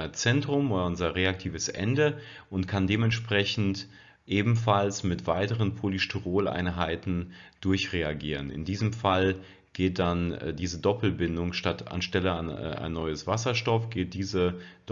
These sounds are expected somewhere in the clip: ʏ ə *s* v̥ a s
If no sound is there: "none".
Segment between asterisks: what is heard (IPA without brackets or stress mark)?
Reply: s